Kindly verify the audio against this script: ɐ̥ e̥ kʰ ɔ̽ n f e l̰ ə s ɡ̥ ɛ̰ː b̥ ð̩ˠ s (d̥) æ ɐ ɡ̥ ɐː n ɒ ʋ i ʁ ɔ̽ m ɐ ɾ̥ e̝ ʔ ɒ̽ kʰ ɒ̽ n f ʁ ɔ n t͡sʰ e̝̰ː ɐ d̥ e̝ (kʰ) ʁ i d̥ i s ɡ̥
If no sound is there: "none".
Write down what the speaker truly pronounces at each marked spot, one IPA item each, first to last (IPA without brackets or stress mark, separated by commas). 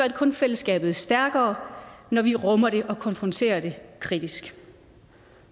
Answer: d̥, kʰ